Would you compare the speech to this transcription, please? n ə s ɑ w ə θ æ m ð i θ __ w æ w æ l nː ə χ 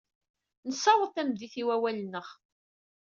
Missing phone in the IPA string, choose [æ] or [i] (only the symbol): i